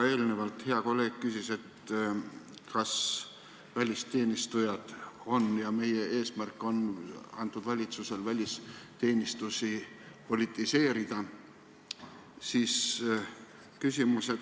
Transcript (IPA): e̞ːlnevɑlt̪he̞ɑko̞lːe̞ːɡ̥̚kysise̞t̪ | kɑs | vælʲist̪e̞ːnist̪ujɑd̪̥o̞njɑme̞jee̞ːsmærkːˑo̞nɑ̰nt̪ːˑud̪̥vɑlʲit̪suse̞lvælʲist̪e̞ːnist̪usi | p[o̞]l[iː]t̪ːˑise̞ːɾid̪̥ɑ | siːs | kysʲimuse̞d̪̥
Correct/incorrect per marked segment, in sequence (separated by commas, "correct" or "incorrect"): correct, incorrect